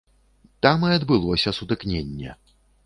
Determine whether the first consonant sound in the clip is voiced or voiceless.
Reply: voiceless